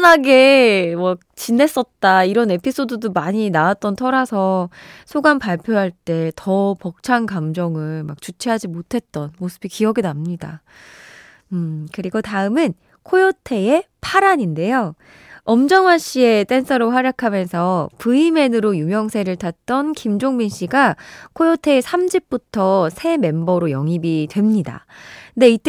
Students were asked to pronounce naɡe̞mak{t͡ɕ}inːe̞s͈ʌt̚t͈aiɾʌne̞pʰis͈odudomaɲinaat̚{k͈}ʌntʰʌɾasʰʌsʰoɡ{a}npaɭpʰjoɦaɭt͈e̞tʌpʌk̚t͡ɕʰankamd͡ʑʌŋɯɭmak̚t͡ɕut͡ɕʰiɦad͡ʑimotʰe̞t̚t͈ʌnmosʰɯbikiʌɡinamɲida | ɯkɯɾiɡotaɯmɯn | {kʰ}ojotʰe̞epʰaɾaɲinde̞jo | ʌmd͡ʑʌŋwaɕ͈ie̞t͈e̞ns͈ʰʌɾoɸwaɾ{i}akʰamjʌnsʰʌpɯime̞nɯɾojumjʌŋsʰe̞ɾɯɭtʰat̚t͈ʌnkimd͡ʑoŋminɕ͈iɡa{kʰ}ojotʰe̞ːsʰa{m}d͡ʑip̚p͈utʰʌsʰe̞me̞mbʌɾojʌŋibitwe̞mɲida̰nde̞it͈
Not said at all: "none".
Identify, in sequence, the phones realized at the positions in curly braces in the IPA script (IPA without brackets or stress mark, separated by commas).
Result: t͡ɕ, t͈, a, kʰ, j, kʰ, m